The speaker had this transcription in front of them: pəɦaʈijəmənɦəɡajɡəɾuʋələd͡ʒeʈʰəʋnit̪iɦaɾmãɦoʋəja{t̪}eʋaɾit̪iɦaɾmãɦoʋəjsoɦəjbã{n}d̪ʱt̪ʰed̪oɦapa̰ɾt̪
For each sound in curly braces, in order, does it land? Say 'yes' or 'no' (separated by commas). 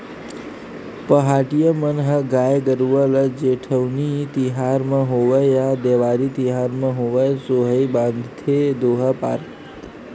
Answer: no, yes